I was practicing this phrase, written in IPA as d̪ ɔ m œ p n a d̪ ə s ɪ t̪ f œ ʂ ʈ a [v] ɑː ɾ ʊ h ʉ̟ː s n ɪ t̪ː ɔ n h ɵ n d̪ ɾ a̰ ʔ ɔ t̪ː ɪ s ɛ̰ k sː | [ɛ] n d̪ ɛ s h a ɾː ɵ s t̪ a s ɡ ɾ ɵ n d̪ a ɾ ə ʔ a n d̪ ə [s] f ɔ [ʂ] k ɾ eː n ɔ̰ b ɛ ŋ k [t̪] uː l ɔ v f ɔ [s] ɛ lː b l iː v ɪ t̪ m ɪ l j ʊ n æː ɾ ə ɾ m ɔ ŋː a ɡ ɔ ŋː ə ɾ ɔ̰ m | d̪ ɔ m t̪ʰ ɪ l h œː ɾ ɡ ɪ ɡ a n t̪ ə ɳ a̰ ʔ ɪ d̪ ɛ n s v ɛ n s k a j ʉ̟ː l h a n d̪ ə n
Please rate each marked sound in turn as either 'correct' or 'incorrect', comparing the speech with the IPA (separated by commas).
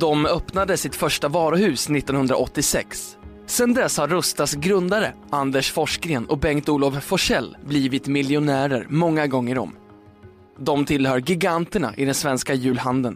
correct, correct, incorrect, correct, correct, incorrect